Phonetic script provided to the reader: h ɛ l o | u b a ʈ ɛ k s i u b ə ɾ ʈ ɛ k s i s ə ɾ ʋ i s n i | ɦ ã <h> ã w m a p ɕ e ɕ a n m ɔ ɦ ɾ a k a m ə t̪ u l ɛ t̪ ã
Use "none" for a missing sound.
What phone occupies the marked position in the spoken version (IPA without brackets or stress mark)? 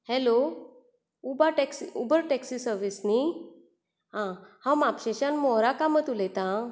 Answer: h